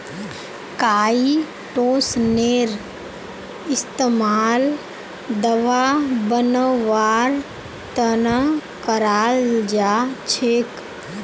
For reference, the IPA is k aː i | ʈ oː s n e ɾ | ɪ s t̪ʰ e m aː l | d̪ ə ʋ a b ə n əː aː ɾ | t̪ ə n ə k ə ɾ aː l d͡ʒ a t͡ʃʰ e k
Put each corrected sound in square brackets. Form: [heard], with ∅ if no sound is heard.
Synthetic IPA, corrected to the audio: k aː i | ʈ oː s n e ɾ | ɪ s [t̪] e m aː l | d̪ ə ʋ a b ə n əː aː ɾ | t̪ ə n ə k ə ɾ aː l d͡ʒ a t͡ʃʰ e k